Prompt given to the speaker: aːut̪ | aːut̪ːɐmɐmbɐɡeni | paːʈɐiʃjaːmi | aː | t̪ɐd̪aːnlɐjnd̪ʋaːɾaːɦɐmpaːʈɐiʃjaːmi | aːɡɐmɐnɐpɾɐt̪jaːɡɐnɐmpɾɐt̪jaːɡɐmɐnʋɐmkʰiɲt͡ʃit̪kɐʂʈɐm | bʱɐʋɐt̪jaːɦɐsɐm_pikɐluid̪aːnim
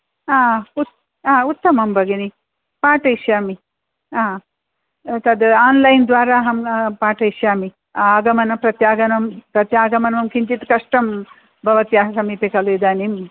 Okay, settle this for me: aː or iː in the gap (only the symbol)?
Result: iː